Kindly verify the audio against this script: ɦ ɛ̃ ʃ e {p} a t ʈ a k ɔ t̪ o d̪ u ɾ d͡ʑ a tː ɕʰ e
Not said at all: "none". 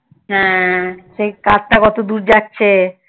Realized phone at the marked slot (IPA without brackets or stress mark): k